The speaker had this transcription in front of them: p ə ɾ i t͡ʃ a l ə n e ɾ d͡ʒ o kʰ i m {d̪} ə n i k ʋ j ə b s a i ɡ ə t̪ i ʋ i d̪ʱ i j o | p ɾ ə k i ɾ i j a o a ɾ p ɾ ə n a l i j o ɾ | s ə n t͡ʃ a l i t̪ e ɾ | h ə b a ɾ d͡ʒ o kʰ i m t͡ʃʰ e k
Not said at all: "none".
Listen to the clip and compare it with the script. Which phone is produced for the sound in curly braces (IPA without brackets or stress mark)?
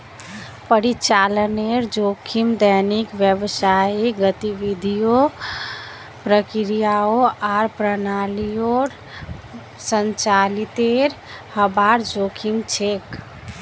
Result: d̪